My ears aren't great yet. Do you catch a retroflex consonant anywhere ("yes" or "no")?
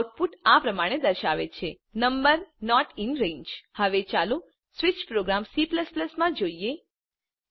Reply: yes